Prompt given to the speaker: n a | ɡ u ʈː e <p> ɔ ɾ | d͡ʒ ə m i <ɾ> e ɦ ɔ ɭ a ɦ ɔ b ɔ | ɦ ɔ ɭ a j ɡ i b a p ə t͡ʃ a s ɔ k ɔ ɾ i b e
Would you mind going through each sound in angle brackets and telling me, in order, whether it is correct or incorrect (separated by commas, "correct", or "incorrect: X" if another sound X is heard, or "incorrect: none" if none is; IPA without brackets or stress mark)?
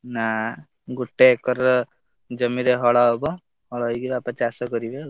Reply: incorrect: k, correct